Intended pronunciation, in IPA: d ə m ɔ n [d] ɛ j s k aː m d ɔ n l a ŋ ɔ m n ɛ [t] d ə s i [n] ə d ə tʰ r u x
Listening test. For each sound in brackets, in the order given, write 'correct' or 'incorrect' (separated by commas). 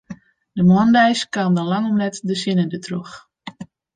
correct, correct, correct